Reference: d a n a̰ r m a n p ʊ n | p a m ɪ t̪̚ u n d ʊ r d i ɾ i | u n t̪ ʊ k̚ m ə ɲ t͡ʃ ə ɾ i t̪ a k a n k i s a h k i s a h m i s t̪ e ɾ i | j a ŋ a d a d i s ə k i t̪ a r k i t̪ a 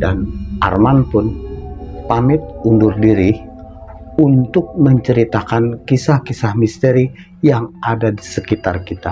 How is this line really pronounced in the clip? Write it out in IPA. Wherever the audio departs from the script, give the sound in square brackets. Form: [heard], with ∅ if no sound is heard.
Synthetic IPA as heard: d a n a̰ r m a n p ʊ n | p a m ɪ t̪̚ u n d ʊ r d i ɾ i | u n t̪ ʊ k̚ m ə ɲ t͡ʃ ə ɾ i t̪ a k a n k i s a h k i s a h m i s t̪ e ɾ i | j a ŋ a d a d i s ə k i t̪ a r k i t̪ a

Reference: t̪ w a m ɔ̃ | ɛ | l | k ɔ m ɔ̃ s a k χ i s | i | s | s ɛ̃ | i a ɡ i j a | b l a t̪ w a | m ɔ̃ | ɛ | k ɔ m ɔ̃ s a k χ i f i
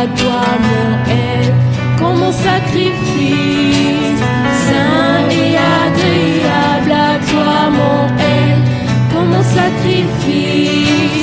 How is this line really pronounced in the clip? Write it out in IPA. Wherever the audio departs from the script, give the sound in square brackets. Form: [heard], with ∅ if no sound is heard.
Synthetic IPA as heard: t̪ w a m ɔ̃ | ɛ | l | k ɔ m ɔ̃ s a k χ i [f] | i | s | s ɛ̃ | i a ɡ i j a | b l a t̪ w a | m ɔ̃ | ɛ | k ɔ m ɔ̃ s a k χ i f i

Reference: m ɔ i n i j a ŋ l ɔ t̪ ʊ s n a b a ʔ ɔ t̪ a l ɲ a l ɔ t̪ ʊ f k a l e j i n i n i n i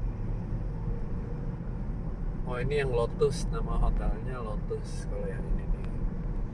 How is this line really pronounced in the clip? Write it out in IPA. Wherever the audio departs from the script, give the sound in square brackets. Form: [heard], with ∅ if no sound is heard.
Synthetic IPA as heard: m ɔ i n i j a ŋ l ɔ t̪ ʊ s n a [m] a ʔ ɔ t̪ a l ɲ a l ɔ t̪ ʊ [s] k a l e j [a] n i n i n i

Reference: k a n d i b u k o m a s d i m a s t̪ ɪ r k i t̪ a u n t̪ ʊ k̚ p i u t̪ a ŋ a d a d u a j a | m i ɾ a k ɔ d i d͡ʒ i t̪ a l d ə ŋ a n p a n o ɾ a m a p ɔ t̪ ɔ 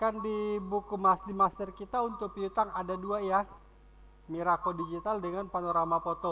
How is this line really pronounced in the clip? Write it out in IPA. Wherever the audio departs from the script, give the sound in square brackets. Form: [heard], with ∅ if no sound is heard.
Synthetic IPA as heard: k a n d i b u k [u] m a s d i m a s t̪ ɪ r k i t̪ a u n t̪ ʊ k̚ p i u t̪ a ŋ a d a d u a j a | m i ɾ a k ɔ d i d͡ʒ i t̪ a l d ə ŋ a n p a n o ɾ a m a p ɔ t̪ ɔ

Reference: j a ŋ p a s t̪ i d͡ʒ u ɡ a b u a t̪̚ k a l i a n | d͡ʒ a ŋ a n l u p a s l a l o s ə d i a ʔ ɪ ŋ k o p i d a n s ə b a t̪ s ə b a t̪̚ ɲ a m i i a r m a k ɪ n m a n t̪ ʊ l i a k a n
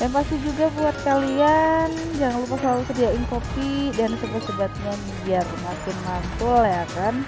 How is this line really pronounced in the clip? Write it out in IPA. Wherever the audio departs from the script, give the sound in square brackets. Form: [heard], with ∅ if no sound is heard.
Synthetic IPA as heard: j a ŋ p a s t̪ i d͡ʒ u ɡ a b u a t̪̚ k a l i a n | d͡ʒ a ŋ a n l u p a s l a l [u] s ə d i a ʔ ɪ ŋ k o p i d a n s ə b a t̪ s ə b a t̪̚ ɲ a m i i a r m a k ɪ n m a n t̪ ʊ l [j] a k a n

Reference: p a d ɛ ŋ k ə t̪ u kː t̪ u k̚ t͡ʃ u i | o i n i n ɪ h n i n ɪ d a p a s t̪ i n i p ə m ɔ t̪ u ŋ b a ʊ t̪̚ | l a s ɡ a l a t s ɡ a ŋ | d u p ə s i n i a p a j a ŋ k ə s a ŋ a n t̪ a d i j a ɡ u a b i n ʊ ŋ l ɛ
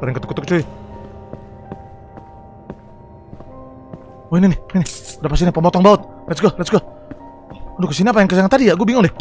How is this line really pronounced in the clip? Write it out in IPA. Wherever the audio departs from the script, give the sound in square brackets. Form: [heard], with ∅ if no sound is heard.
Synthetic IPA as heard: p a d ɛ ŋ k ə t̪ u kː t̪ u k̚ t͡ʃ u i | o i n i n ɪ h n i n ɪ d a p a s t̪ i n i p ə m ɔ t̪ [ɔ] ŋ b a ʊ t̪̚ | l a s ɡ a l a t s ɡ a [∅] | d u [k] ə s i n i a p a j a ŋ k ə s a ŋ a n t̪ a d i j a ɡ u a b i [ŋ] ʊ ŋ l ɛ

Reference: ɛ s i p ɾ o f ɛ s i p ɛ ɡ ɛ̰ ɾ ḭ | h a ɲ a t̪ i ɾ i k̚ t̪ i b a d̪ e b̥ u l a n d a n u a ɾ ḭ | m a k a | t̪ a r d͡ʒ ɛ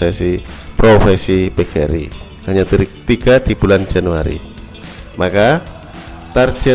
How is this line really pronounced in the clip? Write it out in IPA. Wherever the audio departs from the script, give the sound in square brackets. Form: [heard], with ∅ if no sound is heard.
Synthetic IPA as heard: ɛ s i p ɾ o f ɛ s i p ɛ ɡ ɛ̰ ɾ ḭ | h a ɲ a t̪ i ɾ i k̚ t̪ i [ɡ] a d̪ [i] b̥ u l a n [d͡ʒ] a n u a ɾ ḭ | m a k a | t̪ a r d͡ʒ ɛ

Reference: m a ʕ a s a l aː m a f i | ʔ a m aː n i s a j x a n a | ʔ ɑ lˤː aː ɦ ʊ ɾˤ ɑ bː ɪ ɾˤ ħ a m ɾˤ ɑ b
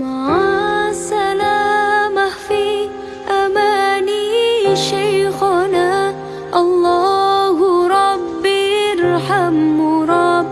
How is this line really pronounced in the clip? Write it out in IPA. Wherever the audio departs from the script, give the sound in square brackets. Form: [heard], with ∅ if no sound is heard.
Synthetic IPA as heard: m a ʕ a s a l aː m a f i | ʔ a m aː n i [ʃ] a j x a n a | ʔ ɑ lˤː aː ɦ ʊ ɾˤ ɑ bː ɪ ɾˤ ħ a m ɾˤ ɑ b

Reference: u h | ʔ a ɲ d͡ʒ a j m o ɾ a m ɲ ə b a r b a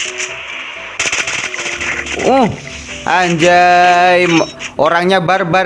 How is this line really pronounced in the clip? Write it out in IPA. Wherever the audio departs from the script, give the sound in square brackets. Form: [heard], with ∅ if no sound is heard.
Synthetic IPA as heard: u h | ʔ a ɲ d͡ʒ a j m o ɾ a [ŋ] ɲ [a] b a r b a

